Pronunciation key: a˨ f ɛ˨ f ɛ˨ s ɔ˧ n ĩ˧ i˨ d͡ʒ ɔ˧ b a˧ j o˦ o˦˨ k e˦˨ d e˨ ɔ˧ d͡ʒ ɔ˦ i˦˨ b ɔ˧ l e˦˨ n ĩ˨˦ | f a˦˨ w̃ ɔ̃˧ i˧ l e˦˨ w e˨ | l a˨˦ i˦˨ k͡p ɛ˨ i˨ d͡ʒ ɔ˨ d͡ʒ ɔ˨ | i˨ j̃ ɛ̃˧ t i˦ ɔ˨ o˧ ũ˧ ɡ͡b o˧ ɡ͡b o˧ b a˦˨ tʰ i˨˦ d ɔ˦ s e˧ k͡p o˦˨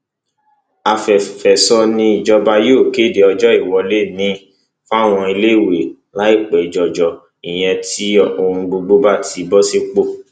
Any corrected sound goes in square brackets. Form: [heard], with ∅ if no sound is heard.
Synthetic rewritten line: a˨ f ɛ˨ f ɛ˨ s ɔ˧ n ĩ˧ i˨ d͡ʒ ɔ˧ b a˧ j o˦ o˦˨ k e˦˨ d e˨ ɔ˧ d͡ʒ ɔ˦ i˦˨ [w] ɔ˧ l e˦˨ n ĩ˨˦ | f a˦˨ w̃ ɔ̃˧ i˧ l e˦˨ w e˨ | l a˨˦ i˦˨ k͡p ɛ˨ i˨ d͡ʒ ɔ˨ d͡ʒ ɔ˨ | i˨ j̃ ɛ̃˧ t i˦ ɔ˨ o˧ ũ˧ ɡ͡b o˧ ɡ͡b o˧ b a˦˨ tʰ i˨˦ [b] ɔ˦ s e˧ k͡p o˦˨